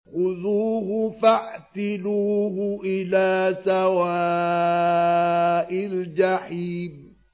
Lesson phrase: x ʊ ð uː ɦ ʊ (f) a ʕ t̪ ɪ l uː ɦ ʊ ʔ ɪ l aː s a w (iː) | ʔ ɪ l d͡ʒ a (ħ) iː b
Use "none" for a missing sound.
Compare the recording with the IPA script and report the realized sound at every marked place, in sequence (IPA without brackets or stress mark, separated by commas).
f, aː, ħ